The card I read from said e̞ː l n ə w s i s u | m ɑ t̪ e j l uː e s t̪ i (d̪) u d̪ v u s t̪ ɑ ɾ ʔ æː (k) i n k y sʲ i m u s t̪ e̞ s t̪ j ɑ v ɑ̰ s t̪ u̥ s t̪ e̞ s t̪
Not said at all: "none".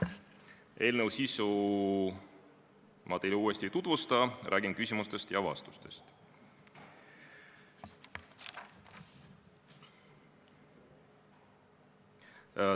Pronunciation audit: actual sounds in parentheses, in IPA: t̪, ɡ

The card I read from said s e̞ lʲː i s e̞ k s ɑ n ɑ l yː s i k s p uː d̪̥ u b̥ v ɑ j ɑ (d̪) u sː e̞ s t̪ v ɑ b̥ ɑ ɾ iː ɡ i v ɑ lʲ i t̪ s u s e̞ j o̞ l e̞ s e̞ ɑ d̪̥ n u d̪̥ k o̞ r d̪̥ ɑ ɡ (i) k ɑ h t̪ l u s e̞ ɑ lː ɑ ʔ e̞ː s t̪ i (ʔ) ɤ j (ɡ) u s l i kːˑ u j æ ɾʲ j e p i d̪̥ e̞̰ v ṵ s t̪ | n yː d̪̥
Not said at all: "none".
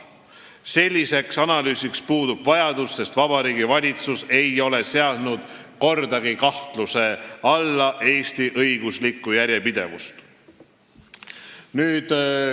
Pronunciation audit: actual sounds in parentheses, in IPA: d̪, i, ʔ, ɡ

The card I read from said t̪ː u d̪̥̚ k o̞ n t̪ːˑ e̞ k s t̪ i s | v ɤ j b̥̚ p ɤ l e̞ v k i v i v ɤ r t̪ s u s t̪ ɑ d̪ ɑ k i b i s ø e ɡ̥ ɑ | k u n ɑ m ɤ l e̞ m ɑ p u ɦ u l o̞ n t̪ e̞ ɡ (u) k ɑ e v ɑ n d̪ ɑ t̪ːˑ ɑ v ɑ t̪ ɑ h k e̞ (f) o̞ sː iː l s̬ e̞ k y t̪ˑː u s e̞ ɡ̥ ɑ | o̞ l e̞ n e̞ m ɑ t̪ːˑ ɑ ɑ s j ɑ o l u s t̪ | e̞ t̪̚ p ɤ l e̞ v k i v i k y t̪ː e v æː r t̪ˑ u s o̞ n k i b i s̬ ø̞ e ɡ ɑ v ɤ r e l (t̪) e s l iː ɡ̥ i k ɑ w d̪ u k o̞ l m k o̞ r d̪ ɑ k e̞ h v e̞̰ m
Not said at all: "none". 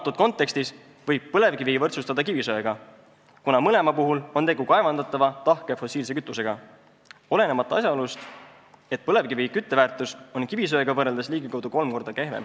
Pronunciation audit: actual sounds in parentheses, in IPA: u, f, d̪

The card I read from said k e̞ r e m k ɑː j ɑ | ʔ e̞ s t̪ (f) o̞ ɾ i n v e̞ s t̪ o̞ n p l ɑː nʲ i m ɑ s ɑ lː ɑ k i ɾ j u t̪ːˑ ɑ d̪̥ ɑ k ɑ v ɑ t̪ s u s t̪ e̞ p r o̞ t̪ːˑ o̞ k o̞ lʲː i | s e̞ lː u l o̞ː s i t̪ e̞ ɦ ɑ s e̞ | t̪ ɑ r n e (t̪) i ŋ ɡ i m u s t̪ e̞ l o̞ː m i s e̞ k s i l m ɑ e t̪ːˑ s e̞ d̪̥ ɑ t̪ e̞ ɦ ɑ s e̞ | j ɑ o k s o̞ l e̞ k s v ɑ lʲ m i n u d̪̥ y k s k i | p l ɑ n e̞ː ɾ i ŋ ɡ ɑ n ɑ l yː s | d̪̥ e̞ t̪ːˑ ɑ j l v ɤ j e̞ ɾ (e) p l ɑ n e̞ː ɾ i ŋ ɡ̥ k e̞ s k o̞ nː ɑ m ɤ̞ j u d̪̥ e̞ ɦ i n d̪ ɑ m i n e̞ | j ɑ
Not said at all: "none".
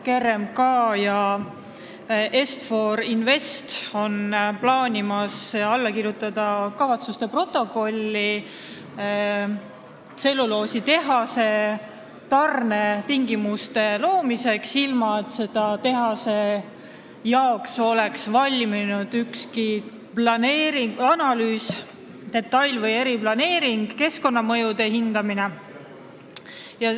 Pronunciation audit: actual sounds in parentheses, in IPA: f, t̪, i

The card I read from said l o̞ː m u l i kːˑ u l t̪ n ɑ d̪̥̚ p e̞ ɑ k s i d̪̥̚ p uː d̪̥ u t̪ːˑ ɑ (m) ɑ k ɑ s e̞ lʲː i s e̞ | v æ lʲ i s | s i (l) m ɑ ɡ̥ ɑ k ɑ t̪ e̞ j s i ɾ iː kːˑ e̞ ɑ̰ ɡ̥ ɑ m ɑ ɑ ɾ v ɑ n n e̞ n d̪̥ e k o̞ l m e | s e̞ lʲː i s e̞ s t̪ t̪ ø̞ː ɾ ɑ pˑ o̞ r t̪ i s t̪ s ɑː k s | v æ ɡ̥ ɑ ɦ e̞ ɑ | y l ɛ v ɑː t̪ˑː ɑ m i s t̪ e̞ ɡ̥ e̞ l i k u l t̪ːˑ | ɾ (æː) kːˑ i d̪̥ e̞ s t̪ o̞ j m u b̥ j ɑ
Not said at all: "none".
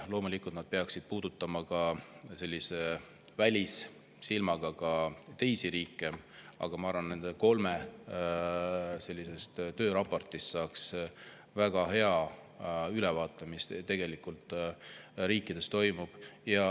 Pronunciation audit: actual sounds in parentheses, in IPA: m, l, iː

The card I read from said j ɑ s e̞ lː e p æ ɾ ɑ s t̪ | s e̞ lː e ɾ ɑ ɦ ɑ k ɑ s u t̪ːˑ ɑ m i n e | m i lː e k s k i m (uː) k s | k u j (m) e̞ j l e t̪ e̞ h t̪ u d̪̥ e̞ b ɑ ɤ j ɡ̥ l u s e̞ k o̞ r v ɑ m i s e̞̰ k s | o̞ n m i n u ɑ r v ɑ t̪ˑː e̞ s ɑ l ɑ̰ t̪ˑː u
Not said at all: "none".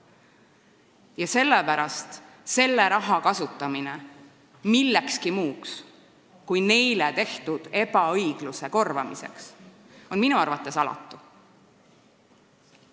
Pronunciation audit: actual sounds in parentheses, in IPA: uː, n

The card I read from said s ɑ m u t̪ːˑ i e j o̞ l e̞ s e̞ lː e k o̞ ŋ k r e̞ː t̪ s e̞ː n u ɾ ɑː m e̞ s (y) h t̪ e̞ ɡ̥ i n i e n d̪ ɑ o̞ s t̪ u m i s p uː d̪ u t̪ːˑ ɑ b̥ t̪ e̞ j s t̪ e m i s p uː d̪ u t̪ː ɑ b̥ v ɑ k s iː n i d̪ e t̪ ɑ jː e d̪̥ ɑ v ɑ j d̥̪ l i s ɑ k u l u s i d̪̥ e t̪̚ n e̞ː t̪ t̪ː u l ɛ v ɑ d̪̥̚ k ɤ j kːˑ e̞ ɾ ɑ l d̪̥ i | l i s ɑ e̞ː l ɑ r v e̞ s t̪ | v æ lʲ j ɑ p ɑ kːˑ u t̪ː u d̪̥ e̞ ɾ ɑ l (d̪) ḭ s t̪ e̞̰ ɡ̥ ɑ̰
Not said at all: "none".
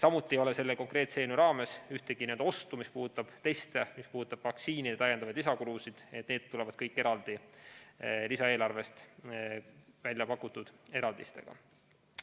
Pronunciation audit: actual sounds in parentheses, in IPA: y, d̪

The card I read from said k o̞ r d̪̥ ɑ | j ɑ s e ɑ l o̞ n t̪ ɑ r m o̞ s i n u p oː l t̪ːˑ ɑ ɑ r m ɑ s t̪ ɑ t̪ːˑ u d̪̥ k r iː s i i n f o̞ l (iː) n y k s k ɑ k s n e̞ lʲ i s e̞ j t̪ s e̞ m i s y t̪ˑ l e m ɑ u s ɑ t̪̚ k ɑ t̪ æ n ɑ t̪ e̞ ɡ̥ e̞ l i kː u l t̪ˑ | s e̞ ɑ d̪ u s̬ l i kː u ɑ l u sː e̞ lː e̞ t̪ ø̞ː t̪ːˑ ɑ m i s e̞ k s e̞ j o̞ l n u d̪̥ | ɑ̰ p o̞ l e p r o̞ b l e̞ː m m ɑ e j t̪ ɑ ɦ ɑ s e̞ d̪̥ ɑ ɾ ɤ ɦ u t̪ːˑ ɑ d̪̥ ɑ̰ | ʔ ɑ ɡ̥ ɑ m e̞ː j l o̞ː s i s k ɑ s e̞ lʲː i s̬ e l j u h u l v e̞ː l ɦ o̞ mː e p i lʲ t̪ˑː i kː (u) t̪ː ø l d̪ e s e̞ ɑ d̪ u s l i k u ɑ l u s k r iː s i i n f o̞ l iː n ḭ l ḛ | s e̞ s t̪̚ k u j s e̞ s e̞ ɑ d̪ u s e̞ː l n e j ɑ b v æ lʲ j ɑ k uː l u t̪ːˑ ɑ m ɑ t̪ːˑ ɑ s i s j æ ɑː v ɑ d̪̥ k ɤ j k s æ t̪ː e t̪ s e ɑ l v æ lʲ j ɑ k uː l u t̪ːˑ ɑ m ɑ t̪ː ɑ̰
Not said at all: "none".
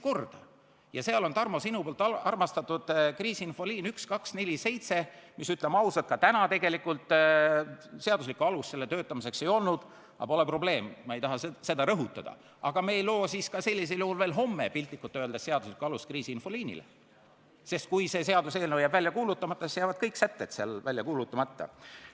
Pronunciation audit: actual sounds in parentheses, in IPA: iː, u

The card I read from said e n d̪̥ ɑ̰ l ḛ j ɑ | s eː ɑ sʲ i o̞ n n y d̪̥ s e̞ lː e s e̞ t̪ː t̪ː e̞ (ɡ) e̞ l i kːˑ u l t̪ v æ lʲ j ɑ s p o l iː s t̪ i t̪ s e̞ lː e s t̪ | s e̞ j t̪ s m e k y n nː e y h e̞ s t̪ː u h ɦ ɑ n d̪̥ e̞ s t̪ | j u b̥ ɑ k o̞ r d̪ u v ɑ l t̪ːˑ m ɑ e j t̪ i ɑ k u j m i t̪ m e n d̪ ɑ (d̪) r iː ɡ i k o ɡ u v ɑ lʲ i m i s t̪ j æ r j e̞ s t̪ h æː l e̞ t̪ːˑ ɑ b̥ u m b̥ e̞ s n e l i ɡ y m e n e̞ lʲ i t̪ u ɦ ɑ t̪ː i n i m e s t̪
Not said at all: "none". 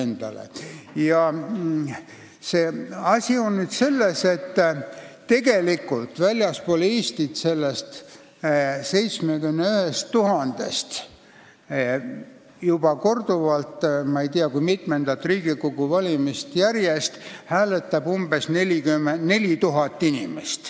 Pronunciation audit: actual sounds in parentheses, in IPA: ɡ, t̪

